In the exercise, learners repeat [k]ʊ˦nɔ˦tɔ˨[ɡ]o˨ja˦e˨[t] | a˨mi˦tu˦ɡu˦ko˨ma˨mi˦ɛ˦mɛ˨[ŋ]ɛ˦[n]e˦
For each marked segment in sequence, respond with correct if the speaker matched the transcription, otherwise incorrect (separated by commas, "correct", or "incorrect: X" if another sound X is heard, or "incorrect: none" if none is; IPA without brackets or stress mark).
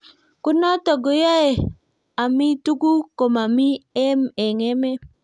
correct, correct, incorrect: none, correct, incorrect: m